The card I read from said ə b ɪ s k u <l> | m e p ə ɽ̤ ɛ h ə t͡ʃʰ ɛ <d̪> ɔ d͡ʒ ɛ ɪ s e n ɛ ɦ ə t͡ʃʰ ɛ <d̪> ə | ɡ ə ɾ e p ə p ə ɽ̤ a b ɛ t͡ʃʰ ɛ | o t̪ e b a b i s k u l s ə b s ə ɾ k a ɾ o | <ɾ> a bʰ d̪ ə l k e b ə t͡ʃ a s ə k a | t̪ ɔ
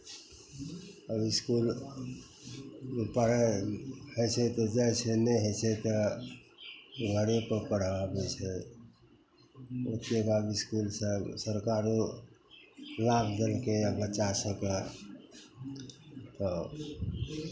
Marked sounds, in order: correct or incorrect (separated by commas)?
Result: correct, incorrect, incorrect, incorrect